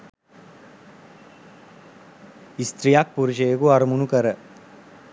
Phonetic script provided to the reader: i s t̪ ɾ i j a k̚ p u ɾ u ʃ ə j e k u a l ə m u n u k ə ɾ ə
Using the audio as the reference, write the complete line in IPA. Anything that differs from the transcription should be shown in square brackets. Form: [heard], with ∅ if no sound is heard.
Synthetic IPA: i s t̪ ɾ i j a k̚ p u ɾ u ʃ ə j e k u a [ɾ] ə m u n u k ə ɾ ə